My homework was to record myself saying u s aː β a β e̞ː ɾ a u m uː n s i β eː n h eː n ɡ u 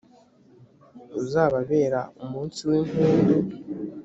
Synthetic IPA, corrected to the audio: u z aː β a β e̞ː ɾ a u m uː n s i w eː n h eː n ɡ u

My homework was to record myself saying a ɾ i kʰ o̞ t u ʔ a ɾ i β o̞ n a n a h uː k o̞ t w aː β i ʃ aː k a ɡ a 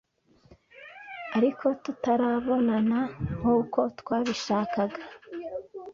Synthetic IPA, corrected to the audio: a ɾ i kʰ o̞ t u t a ɾ a β o̞ n a n a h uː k o̞ t w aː β i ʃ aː k a ɡ a

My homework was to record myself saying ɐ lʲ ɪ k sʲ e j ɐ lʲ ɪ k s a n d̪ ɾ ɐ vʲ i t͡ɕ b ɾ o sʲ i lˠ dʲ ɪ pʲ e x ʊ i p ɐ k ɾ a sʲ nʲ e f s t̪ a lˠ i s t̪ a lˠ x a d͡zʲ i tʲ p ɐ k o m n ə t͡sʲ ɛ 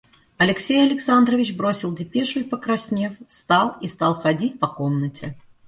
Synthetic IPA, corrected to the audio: ɐ lʲ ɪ k sʲ e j ɐ lʲ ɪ k s a n d̪ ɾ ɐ vʲ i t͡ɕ b ɾ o sʲ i lˠ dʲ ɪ pʲ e ʂ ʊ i p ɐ k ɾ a sʲ nʲ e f s t̪ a lˠ i s t̪ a lˠ x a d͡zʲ i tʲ p ɐ k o m n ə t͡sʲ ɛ

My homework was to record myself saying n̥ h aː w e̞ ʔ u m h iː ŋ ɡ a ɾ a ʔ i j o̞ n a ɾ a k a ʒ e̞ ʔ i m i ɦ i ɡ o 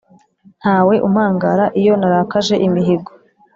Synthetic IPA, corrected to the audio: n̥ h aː w e̞ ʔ u m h aː ŋ ɡ a ɾ a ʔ i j o̞ n a ɾ a k a ʒ e̞ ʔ i m i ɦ i ɡ o

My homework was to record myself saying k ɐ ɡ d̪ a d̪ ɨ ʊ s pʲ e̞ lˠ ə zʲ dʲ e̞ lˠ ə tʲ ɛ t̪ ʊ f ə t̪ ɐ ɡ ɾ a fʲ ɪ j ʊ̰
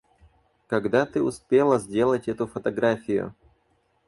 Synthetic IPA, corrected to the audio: k ɐ ɡ d̪ a t̪ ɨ ʊ s pʲ e̞ lˠ ə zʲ dʲ e̞ lˠ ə tʲ ɛ t̪ ʊ f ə t̪ ɐ ɡ ɾ a fʲ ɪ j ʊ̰

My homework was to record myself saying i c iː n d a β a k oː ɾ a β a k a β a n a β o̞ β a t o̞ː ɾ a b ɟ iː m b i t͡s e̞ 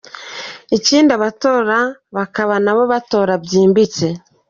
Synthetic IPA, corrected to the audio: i c iː n d a β a t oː ɾ a β a k a β a n a β o̞ β a t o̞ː ɾ a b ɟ iː m b i t͡s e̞

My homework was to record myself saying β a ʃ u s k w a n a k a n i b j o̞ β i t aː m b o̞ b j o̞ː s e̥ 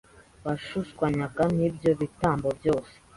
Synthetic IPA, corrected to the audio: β a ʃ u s k w a ɲ a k a n i b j o̞ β i t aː m b o̞ b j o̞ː s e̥

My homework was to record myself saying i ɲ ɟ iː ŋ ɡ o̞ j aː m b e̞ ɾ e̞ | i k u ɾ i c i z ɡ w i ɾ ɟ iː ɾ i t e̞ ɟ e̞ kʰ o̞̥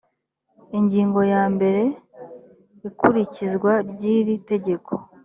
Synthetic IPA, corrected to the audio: i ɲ ɟ iː ŋ ɡ o̞ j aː m b e̞ ɾ e̞ | i k u ɾ i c i z ɡ w a ɾ ɟ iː ɾ i t e̞ ɟ e̞ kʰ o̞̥

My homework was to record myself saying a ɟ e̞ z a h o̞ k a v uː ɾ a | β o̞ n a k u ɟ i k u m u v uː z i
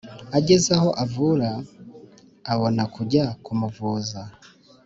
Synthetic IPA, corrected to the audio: a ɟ e̞ z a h o̞ ʔ a v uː ɾ a | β o̞ n a k u ɟ a k u m u v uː z a

